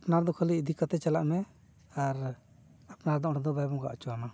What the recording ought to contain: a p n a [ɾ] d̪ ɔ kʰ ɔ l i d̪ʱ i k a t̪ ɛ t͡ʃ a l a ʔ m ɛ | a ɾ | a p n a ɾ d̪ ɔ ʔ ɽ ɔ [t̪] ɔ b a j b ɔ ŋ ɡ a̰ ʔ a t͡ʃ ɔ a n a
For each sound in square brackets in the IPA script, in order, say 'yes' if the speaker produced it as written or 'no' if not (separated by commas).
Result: yes, no